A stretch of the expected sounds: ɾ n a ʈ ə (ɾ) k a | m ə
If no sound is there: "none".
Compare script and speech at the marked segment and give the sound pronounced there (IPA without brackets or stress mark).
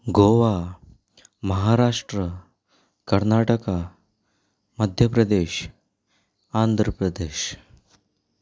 none